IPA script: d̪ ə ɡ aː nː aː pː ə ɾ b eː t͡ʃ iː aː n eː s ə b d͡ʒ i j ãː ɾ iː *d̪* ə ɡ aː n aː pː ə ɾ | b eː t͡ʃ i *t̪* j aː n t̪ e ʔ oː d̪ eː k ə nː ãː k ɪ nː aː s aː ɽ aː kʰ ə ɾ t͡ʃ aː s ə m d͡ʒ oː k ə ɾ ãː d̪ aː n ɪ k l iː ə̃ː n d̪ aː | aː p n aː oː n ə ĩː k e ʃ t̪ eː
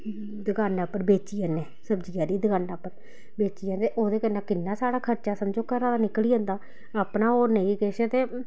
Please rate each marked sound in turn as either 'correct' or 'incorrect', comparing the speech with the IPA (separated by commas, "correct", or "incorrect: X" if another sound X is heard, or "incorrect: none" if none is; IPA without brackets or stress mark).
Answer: correct, incorrect: none